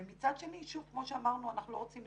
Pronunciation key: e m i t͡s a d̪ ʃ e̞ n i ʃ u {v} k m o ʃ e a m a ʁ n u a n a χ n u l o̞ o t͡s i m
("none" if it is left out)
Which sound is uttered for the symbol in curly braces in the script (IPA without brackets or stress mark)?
v